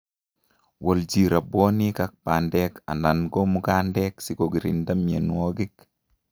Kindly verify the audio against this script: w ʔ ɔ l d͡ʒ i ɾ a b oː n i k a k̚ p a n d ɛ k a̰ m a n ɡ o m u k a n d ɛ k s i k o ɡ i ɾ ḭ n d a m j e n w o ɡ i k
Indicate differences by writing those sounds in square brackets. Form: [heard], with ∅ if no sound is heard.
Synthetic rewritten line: w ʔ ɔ l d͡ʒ i ɾ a b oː n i k a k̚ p a n d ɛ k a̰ [n] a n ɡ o m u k a n d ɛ k s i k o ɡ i ɾ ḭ n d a m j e n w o ɡ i k